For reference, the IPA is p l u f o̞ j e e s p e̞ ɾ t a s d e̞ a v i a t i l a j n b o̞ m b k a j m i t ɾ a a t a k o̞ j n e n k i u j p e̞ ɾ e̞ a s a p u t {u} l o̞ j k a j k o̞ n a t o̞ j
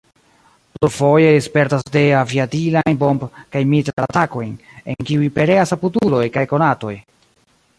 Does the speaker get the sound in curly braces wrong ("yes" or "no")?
no